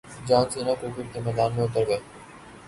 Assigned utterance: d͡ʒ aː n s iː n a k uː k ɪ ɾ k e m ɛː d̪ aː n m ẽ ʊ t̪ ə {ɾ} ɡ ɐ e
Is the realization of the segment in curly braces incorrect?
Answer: no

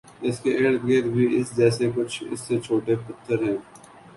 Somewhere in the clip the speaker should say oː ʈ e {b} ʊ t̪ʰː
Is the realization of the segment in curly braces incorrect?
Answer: yes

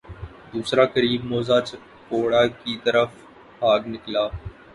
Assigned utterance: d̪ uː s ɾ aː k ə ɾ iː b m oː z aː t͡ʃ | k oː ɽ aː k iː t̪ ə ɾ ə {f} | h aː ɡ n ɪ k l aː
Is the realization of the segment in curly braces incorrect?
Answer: no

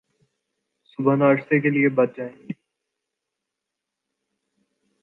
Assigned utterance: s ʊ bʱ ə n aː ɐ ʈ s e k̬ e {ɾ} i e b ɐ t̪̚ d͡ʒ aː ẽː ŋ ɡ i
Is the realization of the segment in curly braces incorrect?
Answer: yes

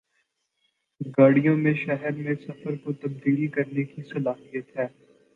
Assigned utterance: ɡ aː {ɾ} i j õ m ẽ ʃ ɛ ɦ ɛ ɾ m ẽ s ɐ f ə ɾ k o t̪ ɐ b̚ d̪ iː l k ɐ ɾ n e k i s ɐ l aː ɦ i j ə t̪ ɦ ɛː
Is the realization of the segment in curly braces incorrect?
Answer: yes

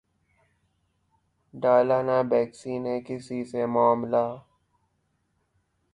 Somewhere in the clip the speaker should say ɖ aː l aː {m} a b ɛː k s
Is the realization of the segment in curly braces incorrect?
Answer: yes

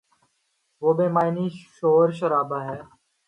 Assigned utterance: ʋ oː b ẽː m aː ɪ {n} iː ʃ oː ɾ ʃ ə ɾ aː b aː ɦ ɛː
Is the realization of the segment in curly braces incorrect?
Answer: no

